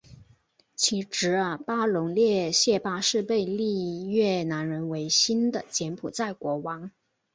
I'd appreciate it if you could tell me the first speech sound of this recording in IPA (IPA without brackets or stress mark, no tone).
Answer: t͡ɕʰ